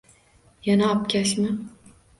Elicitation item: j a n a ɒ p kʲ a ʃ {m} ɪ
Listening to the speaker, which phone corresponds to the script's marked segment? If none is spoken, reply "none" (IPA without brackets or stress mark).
m